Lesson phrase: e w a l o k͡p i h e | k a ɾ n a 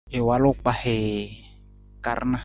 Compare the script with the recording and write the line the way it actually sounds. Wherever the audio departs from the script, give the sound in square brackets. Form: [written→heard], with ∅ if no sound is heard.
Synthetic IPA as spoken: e w a l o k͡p [i→a] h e | k a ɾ n a